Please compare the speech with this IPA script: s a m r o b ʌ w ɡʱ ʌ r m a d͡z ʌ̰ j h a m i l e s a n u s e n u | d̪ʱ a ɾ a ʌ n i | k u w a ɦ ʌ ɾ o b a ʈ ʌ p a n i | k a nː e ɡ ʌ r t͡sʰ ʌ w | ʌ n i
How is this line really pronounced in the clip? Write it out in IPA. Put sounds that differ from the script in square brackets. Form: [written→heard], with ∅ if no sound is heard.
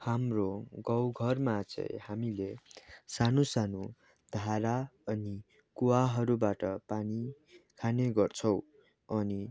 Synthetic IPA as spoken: [s→h] a m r o [b→ɡ] ʌ w ɡʱ ʌ r m a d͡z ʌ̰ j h a m i l e s a n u s [e→a] n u | d̪ʱ a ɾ a ʌ n i | k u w a ɦ ʌ ɾ [o→u] b a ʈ ʌ p a n i | [k→kʰ] a [nː→n] e ɡ ʌ r t͡sʰ ʌ w | ʌ n i